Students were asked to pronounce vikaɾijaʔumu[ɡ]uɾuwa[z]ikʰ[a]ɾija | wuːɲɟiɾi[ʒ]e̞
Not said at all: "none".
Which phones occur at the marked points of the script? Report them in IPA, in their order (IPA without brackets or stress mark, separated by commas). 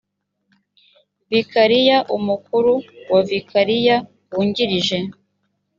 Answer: k, v, a, ʒ